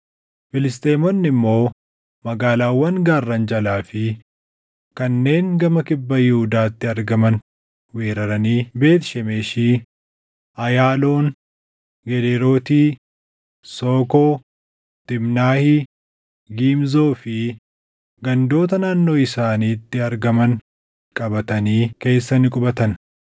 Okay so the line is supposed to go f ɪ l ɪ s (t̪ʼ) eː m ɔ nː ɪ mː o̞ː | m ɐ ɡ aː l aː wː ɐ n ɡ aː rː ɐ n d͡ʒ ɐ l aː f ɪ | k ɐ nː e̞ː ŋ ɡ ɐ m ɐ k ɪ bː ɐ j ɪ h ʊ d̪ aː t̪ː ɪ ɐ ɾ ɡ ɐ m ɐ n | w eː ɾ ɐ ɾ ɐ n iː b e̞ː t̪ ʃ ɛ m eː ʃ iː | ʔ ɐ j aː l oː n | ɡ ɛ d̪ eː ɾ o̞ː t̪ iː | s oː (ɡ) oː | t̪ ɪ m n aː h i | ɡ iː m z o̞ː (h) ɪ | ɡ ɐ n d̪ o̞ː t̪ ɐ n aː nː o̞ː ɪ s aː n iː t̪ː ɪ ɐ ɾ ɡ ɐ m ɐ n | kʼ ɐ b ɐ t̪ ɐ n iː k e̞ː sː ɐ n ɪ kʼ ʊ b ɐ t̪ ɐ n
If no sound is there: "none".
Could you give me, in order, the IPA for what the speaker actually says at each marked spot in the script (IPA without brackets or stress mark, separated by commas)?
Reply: t̪, k, f